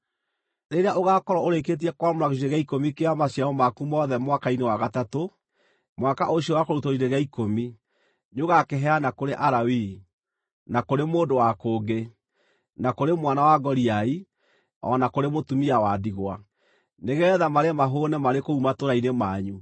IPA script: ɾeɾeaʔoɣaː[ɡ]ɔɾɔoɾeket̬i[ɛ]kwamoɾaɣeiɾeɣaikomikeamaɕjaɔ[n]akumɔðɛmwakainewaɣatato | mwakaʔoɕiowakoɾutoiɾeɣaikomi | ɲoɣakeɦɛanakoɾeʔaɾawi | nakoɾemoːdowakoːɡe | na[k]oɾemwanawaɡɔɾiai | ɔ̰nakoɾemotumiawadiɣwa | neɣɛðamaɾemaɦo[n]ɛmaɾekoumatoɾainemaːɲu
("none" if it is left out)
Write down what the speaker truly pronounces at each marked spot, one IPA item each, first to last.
k, ɛ, m, k, n

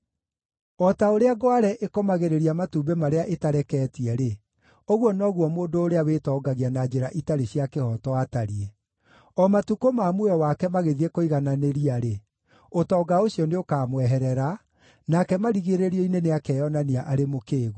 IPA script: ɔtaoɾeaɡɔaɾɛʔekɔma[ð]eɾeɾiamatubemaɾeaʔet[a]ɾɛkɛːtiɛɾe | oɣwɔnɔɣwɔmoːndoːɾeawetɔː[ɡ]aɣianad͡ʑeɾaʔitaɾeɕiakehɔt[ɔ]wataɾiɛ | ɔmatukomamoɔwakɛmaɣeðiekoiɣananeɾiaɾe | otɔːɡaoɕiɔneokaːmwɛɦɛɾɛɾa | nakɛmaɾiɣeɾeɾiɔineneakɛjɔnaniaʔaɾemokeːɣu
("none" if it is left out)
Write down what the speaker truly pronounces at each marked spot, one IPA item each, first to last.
ɣ, a, ɡ, ɔ

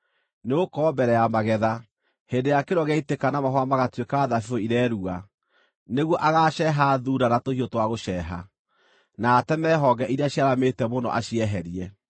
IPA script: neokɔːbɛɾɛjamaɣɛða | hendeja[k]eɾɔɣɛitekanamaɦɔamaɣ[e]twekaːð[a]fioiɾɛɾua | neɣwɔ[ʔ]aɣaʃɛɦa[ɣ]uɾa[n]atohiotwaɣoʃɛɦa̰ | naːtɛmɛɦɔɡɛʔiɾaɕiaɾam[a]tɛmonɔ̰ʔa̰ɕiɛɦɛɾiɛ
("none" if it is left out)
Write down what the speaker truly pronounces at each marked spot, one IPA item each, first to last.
k, a, a, ʔ, ð, n, e

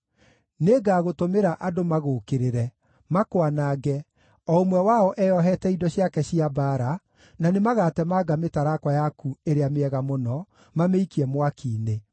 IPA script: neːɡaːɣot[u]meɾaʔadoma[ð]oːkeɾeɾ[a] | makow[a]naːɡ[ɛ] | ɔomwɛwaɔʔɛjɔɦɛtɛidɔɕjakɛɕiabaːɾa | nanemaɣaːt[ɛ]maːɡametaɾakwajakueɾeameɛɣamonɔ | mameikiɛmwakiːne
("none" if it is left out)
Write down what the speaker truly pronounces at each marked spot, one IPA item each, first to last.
o, ɣ, ɛ, a, ɛ, ɛ

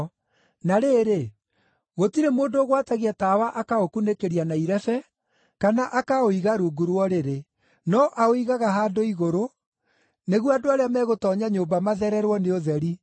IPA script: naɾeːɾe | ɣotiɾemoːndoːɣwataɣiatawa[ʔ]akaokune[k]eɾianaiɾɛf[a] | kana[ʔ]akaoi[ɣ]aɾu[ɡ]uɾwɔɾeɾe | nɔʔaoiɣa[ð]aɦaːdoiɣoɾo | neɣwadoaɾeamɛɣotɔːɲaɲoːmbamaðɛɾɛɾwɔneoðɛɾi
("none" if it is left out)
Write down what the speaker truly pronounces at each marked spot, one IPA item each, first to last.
ʔ, k, ɛ, ʔ, ɣ, ɡ, ɣ

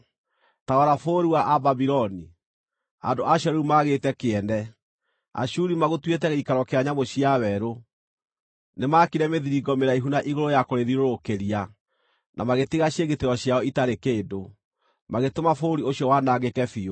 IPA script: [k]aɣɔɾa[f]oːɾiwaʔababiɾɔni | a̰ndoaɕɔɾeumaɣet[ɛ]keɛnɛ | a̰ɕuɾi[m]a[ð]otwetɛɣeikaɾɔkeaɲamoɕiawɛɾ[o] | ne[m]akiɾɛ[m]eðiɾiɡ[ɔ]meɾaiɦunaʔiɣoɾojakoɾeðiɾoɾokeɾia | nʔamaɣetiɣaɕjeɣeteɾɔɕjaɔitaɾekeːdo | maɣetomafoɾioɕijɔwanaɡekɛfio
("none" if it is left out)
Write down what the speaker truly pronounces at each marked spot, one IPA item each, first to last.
t, f, ɛ, m, ɣ, o, m, m, ɔ

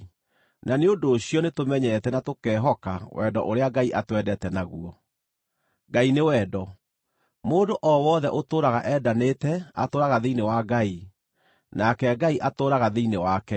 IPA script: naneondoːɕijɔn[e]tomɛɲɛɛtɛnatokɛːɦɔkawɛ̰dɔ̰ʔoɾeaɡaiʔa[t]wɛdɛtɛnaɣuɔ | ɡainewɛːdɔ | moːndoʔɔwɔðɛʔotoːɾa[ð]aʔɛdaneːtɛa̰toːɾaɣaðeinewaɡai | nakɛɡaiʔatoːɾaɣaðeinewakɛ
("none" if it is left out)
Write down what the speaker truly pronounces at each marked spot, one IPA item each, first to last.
e, t, ɣ

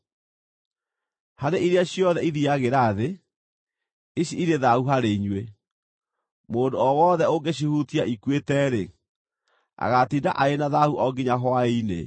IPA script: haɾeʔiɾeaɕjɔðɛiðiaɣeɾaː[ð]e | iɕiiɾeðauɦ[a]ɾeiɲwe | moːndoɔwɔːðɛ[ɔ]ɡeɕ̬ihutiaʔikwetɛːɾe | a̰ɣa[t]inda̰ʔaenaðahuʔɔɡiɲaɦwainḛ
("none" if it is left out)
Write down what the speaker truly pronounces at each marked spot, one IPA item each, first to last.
ð, a, o, t

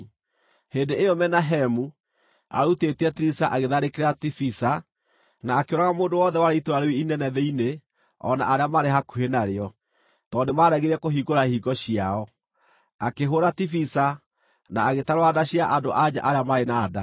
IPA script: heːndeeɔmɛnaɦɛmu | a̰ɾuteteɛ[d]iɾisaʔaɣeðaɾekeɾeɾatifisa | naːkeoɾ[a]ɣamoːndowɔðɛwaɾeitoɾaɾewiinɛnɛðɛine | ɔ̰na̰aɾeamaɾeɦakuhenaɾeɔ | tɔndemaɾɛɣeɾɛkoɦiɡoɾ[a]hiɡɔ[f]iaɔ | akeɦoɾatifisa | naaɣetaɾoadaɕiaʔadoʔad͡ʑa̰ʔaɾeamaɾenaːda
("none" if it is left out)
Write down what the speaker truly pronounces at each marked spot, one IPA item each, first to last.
t, a, a, ɕ

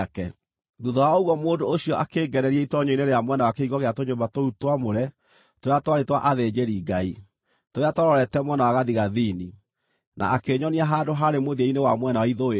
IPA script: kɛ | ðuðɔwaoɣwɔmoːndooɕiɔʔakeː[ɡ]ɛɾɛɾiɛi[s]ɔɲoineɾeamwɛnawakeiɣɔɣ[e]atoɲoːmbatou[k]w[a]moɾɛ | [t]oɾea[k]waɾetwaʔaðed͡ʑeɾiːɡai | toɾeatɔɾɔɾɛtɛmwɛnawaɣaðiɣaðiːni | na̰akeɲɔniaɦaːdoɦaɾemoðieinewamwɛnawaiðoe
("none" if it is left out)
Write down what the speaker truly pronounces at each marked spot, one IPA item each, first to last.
ɡ, t, e, t, a, t, t

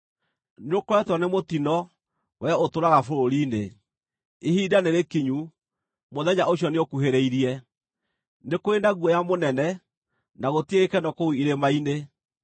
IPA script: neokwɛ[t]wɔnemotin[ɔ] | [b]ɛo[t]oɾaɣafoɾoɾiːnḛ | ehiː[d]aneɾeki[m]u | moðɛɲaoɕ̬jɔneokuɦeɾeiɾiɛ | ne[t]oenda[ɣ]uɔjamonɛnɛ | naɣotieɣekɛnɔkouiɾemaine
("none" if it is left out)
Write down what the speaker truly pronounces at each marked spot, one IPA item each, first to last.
t, ɔ, w, t, d, ɲ, k, ɣ

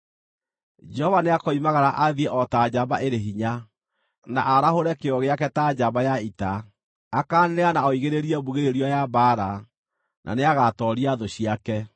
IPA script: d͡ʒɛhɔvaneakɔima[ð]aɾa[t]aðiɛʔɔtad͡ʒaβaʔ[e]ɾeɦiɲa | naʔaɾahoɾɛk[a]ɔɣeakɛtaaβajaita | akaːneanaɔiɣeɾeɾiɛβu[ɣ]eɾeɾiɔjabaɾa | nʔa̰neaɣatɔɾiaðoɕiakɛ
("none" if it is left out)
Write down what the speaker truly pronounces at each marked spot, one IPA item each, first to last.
ɣ, ʔ, e, e, ɣ

